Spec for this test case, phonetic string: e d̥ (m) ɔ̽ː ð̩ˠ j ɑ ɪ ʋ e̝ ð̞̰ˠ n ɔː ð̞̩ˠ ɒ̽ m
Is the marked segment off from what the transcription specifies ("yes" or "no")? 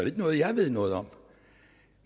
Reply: yes